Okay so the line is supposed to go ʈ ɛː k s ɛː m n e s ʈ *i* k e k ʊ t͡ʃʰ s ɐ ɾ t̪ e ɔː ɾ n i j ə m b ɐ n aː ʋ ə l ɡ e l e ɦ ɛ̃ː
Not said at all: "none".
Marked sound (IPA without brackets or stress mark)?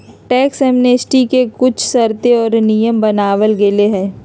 i